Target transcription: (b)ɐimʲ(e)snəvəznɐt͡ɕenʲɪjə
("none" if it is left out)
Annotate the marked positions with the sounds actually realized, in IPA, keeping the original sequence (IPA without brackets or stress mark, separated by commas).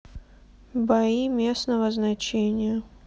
b, e